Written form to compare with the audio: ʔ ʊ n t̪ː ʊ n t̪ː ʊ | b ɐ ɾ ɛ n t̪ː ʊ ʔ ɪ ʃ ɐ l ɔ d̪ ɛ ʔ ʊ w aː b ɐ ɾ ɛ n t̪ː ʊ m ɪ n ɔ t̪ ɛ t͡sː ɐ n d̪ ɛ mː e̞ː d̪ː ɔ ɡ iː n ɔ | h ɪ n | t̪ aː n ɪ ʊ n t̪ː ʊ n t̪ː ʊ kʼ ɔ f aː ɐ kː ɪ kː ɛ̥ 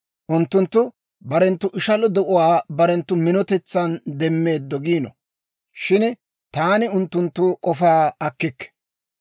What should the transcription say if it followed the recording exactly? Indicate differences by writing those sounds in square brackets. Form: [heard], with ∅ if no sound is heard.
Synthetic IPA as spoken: ʔ ʊ n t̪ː ʊ n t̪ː ʊ | b ɐ ɾ ɛ n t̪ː ʊ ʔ ɪ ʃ ɐ l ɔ d̪ ɛ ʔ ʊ w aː b ɐ ɾ ɛ n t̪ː ʊ m ɪ n ɔ t̪ ɛ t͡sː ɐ n d̪ ɛ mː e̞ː d̪ː ɔ ɡ iː n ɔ | [ʃ] ɪ n | t̪ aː n ɪ ʊ n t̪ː ʊ n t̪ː ʊ kʼ ɔ f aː ɐ kː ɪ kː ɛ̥